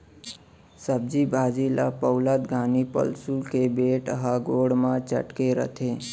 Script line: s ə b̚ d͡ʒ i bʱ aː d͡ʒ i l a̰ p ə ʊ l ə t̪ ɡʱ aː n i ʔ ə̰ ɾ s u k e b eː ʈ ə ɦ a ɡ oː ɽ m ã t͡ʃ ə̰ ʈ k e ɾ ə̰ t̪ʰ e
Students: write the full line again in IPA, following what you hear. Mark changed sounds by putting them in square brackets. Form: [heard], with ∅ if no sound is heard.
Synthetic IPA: s ə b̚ d͡ʒ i bʱ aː d͡ʒ i l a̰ p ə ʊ l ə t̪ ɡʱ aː n i [p] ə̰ [l] s u k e b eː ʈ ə ɦ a ɡ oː ɽ m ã t͡ʃ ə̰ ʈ k e ɾ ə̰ t̪ʰ e